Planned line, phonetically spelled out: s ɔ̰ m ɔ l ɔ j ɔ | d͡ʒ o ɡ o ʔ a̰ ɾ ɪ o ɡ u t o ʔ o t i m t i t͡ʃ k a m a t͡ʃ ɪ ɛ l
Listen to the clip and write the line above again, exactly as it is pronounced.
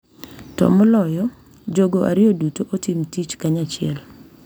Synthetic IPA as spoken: t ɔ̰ m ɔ l ɔ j ɔ | d͡ʒ o ɡ o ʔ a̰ ɾ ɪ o d u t o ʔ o t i m t i t͡ʃ k a ɲ a t͡ʃ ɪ ɛ l